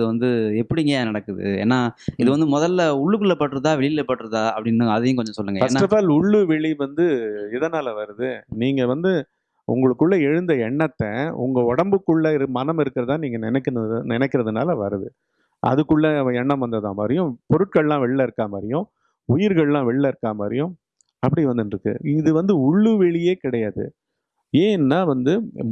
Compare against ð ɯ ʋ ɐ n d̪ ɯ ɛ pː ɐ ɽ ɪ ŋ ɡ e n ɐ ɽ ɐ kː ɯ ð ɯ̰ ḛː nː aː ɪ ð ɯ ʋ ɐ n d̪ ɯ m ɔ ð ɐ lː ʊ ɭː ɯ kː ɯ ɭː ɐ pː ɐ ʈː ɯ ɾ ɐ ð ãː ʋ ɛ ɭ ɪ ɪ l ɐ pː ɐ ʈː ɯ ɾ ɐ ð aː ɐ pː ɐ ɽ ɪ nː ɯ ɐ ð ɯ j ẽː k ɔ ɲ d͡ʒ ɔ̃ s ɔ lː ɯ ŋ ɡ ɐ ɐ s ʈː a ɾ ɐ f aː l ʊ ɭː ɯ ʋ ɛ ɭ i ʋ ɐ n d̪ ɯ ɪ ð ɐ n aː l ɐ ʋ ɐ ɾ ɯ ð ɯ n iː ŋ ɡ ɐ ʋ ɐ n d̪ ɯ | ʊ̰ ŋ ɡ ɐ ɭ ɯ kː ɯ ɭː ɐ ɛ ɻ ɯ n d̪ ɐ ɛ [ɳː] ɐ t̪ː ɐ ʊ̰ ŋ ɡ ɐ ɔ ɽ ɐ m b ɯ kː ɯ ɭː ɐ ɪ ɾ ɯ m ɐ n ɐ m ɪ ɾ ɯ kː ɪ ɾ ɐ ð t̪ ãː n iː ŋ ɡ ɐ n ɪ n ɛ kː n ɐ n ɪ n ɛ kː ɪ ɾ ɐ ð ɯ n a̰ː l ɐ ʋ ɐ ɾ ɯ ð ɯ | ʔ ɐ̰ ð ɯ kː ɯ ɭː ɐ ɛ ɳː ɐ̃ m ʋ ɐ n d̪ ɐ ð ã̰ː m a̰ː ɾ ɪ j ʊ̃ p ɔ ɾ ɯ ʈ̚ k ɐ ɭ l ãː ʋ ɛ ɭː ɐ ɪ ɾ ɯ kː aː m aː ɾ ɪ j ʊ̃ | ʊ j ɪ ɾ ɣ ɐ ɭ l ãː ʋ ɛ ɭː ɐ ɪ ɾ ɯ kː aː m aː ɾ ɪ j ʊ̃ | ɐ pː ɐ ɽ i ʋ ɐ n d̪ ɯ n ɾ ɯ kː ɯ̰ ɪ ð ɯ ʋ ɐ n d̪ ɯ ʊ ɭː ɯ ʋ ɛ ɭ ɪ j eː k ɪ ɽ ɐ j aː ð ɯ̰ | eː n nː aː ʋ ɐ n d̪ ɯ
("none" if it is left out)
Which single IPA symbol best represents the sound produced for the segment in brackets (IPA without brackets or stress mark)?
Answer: ɳː